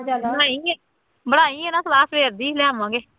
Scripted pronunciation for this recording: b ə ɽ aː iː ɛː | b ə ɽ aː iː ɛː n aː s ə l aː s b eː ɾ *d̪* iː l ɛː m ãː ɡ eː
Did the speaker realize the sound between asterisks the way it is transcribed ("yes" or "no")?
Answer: yes